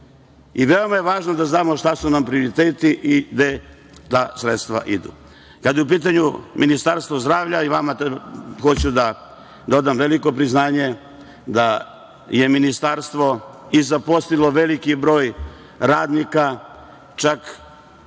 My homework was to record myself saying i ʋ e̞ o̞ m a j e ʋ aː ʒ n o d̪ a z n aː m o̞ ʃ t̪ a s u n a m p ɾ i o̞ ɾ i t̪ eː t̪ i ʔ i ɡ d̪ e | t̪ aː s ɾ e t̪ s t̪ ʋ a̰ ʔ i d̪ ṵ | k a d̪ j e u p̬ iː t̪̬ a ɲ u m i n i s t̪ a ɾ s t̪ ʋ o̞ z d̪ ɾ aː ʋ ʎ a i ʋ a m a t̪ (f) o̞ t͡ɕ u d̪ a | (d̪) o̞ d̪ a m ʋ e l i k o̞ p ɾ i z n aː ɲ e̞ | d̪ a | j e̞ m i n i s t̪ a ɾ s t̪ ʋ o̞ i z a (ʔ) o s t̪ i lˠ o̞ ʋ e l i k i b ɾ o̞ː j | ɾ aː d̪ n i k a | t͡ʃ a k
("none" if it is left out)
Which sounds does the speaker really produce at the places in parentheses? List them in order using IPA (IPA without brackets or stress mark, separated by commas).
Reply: x, d̪, p